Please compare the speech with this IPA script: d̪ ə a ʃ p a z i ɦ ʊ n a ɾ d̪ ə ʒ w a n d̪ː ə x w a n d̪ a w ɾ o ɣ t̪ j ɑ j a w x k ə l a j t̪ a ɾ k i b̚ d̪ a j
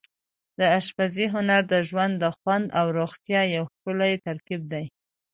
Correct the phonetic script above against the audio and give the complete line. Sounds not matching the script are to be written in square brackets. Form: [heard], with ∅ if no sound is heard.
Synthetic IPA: d̪ ə a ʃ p a z i ɦ ʊ n a ɾ d̪ ə ʒ w a n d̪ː ə x w a n d̪ a w ɾ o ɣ t̪ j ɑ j a w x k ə l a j t̪ a ɾ k i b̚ d̪ a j